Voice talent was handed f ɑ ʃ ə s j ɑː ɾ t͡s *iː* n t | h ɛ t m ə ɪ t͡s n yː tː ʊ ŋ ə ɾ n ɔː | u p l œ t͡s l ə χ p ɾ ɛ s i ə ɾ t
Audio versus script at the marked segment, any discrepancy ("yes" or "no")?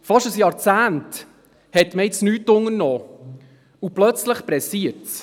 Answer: yes